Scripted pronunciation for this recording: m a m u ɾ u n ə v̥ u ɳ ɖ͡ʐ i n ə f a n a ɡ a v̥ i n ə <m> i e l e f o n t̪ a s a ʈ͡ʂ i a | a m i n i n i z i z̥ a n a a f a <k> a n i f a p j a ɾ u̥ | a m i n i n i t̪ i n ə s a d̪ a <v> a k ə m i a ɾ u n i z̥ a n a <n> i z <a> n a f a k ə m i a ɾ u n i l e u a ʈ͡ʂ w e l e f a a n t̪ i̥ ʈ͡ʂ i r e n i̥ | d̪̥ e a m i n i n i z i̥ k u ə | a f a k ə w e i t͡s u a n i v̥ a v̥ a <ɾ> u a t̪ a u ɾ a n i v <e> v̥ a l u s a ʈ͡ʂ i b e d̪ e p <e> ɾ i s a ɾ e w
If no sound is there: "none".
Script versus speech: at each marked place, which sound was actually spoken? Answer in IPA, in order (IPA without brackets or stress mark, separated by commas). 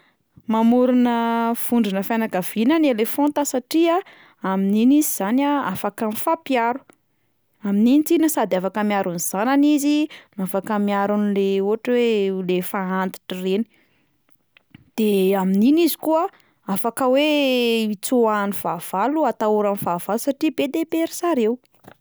n, k, f, n, i, l, a, e